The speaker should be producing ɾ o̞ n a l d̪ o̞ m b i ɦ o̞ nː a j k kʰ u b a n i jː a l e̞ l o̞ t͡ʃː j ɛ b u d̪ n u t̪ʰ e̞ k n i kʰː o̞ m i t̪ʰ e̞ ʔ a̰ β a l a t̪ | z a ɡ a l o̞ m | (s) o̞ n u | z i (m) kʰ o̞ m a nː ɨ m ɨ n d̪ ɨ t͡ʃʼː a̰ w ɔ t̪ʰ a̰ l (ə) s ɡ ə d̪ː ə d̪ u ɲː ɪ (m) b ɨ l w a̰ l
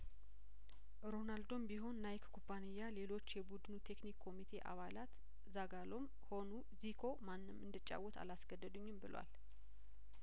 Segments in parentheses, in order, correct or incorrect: incorrect, incorrect, incorrect, correct

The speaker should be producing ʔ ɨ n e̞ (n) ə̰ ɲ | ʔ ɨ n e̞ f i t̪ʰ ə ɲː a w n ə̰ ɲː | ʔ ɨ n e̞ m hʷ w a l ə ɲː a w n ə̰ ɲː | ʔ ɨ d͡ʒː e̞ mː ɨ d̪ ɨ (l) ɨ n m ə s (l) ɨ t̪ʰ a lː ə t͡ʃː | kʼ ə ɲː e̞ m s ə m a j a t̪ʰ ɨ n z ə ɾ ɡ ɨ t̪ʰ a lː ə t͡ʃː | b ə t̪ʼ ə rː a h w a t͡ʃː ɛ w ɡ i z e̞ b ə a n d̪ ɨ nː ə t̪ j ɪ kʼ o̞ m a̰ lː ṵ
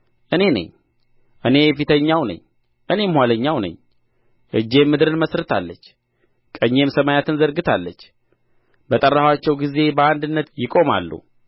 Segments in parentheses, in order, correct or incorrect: correct, incorrect, incorrect

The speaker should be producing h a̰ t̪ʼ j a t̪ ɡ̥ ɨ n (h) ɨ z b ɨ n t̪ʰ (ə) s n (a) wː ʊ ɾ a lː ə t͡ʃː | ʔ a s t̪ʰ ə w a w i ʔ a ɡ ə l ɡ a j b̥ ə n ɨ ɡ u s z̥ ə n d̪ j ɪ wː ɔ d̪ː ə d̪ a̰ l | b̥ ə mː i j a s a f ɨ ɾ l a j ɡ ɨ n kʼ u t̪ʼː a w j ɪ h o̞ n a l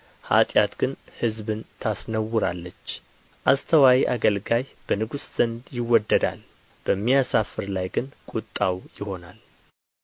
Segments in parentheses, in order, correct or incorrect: correct, incorrect, incorrect

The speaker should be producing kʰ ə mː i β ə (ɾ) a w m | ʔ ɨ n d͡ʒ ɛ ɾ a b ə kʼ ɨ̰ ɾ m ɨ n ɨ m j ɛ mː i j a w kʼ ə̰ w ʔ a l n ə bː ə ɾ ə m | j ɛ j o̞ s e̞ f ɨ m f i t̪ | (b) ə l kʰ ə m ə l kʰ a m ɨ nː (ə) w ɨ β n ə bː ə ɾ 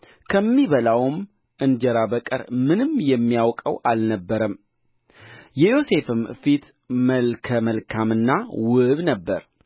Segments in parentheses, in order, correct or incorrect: incorrect, incorrect, incorrect

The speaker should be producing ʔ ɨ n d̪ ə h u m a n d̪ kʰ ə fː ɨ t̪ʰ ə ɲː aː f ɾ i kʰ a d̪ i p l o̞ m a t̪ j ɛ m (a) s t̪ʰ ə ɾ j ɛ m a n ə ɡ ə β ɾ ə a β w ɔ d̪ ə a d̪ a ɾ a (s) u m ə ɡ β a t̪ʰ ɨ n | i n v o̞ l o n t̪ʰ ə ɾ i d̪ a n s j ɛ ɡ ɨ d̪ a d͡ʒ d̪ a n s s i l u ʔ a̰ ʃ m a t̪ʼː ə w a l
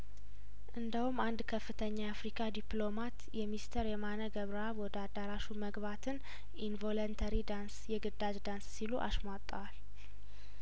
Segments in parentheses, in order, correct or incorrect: incorrect, incorrect

